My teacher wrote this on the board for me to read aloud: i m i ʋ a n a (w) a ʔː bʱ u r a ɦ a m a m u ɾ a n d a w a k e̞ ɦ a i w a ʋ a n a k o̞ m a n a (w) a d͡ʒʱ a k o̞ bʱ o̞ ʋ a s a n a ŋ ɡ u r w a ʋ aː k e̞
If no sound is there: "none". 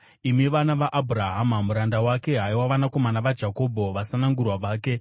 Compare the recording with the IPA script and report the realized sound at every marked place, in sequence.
ʋ, ʋ

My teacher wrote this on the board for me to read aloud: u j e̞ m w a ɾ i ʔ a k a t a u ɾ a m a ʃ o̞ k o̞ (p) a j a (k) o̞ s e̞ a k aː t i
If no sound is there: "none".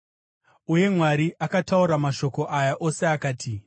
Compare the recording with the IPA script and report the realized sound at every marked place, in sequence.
ʔ, ʔ

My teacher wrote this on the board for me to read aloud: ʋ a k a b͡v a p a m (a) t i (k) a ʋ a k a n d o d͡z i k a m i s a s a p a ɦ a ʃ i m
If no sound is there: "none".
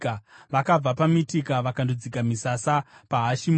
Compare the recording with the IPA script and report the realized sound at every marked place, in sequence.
i, k

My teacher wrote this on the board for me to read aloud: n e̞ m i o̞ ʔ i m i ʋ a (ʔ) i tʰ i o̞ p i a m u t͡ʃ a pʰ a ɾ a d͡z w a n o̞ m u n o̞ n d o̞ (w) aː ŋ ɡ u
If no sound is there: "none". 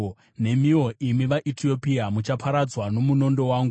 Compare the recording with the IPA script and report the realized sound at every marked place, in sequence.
ʔ, w

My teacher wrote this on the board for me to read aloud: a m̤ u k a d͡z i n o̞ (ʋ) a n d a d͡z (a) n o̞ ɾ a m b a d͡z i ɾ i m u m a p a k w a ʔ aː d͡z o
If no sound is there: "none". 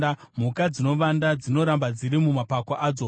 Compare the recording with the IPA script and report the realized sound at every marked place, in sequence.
ʋ, i

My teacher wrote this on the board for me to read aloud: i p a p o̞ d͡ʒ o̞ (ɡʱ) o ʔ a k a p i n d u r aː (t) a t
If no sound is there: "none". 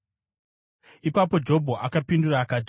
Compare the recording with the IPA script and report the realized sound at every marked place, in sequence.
bʱ, k

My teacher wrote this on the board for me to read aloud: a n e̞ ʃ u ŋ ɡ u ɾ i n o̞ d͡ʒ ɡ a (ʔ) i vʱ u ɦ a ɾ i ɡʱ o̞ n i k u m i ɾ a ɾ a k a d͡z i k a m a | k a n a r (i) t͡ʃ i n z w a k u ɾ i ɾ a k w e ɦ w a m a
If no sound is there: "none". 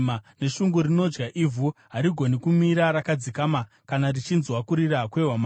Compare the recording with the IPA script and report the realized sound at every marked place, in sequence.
ʔ, i

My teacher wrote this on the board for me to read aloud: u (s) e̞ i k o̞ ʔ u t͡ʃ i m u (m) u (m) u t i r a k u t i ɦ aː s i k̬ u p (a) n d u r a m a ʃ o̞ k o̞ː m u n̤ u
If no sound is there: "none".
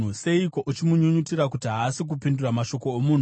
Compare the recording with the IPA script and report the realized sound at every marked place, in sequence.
s, ɲ, ɲ, i

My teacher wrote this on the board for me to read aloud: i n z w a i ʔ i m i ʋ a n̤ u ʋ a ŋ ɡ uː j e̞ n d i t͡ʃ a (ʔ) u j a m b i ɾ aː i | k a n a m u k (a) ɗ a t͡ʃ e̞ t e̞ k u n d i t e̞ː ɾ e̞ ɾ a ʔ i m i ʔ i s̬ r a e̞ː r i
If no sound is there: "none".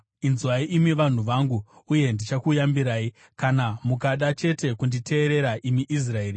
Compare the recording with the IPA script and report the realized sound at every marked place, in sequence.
k, a

